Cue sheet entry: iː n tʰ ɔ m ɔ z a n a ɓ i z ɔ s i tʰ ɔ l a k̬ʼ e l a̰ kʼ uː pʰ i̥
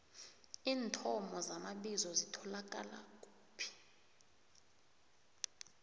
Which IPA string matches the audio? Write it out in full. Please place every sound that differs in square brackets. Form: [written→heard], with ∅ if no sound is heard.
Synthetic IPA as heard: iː n tʰ ɔ m ɔ z a [n→m] a ɓ i z ɔ [s→z] i tʰ ɔ l a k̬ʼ [e→a] l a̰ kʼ uː pʰ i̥